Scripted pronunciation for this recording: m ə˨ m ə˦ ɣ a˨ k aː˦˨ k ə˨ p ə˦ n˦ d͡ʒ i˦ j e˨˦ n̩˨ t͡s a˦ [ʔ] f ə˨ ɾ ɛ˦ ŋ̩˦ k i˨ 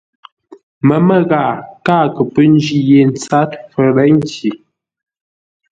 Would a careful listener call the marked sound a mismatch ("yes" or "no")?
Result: yes